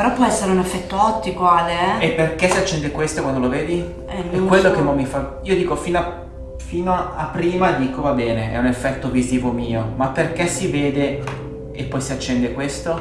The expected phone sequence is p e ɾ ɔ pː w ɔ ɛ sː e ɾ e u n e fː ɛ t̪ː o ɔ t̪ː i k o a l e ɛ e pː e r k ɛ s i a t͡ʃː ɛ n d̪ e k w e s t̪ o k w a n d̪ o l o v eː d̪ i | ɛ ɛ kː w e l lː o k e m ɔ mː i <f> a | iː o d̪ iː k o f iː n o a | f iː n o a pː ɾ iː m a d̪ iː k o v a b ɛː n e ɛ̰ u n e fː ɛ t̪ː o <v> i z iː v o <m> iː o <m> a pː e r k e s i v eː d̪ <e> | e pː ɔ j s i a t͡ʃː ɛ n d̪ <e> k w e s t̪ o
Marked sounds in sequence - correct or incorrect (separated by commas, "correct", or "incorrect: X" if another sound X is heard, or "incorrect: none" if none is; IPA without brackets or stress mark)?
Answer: correct, correct, correct, correct, correct, correct